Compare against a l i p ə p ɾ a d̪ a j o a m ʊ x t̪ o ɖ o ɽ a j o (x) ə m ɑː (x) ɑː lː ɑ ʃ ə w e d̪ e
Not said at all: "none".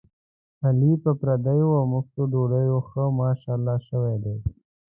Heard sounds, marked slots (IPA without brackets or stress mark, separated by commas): x, ʃ